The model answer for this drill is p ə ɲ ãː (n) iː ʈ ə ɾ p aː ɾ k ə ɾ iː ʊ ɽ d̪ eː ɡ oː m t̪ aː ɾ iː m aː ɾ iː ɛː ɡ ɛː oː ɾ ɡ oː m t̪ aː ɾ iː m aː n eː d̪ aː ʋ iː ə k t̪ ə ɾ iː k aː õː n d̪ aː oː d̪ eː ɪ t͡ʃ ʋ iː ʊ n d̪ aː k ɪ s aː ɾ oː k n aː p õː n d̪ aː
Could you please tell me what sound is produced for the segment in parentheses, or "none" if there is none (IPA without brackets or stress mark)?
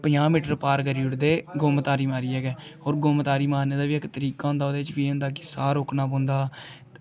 m